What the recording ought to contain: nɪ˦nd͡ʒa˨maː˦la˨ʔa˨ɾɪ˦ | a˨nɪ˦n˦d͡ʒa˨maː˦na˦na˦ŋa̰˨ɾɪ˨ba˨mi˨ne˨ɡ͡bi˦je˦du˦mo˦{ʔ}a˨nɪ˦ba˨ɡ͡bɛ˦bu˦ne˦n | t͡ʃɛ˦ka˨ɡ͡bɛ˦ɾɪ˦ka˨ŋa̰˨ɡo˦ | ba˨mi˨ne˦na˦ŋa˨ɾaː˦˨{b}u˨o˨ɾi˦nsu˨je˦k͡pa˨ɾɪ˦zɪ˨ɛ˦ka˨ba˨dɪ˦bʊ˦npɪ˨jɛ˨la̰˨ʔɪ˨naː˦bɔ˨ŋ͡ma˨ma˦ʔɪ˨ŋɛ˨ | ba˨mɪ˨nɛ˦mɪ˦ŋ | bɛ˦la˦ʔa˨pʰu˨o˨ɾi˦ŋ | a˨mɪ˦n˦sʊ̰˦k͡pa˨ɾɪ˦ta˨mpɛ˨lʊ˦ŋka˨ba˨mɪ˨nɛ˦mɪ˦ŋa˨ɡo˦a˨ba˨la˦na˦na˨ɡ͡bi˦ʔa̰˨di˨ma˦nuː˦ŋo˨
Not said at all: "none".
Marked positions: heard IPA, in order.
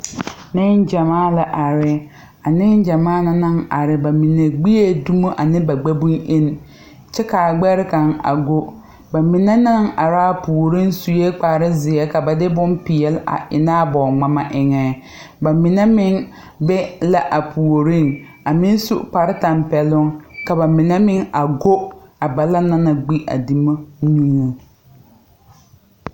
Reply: ʔ, p

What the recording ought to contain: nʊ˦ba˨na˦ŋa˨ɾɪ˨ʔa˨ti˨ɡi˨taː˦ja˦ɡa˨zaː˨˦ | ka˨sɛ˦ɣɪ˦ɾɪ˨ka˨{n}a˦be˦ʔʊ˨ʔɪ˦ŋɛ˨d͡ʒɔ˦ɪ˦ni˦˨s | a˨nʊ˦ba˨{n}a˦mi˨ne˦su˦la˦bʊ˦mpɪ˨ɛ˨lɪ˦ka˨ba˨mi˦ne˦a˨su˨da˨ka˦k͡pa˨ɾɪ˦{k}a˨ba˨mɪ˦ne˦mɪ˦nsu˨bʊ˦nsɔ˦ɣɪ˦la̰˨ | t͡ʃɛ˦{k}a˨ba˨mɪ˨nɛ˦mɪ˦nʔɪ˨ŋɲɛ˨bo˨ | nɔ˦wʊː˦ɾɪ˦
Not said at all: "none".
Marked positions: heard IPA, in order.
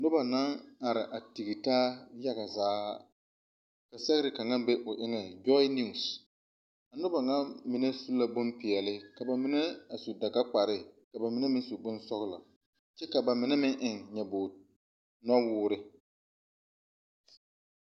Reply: ŋ, ŋ, k, k

